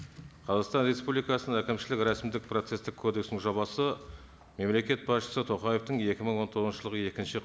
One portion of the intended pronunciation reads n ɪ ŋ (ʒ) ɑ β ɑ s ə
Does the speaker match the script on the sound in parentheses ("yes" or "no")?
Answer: yes